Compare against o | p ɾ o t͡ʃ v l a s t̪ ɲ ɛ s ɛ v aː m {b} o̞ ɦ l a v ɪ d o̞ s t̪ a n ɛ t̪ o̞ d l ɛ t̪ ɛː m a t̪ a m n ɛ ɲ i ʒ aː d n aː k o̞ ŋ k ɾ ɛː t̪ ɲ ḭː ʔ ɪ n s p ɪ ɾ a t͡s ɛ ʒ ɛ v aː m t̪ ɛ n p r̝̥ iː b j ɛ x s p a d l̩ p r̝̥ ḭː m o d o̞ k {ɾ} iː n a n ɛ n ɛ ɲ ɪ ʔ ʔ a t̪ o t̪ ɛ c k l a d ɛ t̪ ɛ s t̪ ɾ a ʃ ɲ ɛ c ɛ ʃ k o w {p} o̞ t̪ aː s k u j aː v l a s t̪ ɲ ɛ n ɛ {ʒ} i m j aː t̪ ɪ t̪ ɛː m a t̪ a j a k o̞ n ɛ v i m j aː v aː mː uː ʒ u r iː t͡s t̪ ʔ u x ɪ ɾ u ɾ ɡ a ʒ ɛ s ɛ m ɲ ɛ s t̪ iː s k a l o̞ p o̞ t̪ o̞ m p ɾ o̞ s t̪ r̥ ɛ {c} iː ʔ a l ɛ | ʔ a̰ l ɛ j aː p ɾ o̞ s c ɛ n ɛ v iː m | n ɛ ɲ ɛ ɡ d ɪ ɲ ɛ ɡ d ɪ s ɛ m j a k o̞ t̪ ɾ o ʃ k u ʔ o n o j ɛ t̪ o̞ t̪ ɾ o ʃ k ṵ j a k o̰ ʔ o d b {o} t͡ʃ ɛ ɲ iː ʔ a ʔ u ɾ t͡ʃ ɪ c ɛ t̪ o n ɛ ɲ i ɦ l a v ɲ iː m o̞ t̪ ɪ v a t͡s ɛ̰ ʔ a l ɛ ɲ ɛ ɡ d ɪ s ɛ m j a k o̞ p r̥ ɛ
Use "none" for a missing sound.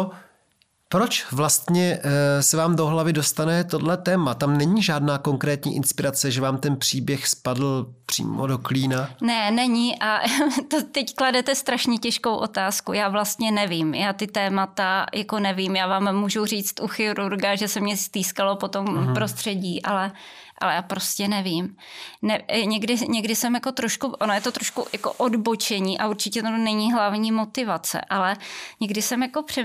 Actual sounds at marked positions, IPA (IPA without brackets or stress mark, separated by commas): d, l, ʔ, v, ɟ, o